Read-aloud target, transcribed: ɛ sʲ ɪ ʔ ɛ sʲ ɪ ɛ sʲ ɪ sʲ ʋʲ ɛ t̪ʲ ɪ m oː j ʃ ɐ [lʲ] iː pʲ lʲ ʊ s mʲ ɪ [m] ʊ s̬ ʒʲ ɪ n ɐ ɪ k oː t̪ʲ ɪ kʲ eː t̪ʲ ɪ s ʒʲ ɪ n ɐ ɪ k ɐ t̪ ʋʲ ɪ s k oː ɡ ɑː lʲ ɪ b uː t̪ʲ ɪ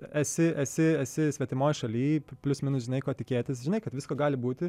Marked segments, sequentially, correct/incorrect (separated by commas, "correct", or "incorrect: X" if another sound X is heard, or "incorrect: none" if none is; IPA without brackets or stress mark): correct, incorrect: n